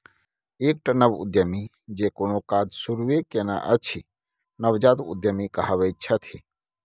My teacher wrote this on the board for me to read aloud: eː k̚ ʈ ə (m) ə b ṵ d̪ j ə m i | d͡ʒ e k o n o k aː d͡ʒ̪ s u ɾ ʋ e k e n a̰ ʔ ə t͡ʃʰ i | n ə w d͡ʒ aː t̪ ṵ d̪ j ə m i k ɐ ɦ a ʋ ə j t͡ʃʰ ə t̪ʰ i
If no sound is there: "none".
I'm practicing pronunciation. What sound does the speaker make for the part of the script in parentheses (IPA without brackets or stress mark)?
n